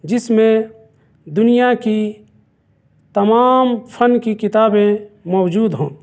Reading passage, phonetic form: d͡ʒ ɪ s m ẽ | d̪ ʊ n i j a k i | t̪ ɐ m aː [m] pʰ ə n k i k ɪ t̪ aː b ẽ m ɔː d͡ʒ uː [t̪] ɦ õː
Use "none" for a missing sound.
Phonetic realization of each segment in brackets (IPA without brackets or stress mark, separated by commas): m, d̪